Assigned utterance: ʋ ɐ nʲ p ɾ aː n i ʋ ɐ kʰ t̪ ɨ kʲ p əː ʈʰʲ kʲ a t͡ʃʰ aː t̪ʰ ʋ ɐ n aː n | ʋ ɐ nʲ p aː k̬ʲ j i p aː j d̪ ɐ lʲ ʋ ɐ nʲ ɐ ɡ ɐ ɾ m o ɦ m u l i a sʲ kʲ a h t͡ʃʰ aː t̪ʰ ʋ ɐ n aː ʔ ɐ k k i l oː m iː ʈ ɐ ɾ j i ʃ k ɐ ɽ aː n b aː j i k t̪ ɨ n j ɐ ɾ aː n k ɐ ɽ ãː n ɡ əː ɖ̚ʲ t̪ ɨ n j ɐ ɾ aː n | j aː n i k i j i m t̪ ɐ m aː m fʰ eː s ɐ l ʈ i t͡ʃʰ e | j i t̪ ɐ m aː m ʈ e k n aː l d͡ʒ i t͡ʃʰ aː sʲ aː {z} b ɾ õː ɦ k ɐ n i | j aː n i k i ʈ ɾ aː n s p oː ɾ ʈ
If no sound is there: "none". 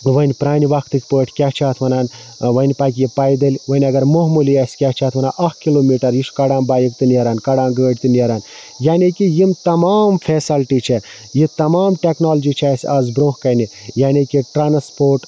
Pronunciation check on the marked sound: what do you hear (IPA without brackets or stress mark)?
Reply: z